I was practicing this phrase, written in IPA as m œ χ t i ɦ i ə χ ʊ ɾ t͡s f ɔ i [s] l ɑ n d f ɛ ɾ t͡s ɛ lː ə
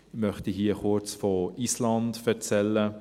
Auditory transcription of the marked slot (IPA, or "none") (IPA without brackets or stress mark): s